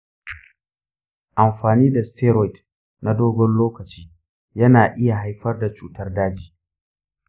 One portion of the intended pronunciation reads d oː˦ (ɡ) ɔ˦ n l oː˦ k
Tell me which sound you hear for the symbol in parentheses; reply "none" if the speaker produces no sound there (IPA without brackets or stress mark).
ɡ